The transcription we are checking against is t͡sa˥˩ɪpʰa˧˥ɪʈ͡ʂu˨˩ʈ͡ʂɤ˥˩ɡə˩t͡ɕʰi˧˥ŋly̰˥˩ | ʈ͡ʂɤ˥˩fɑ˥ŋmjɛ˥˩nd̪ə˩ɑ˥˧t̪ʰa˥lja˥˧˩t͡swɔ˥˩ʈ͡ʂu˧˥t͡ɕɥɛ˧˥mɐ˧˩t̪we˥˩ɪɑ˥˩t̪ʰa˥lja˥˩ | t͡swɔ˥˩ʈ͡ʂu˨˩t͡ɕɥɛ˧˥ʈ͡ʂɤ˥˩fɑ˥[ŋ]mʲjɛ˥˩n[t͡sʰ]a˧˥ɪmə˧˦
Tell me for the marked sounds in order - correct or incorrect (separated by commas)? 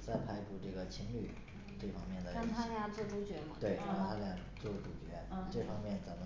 correct, incorrect